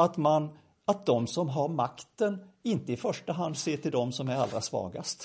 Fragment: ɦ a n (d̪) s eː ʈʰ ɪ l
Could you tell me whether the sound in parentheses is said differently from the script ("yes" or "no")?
no